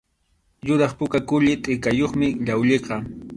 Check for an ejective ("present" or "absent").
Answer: present